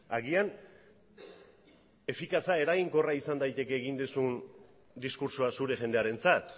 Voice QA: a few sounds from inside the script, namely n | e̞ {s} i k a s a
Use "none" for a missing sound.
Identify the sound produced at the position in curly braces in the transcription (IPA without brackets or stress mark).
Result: f